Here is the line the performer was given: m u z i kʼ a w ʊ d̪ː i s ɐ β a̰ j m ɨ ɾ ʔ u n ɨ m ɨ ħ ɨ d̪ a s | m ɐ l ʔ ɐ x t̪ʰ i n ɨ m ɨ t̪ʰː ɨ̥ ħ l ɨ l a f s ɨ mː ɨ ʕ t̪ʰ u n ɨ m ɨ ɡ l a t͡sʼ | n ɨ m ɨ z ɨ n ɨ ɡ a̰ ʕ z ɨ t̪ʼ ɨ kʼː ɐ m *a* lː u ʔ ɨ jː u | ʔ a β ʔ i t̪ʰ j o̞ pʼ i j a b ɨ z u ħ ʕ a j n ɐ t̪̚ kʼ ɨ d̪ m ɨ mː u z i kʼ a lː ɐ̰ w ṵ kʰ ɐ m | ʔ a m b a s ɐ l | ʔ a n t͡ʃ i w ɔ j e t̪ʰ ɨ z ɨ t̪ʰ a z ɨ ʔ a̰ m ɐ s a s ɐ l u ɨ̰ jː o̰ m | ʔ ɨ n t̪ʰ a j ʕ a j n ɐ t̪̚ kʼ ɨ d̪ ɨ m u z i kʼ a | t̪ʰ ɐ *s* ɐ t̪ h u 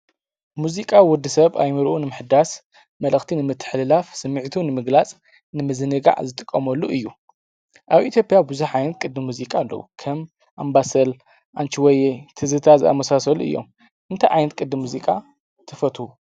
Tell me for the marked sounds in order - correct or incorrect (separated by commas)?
incorrect, incorrect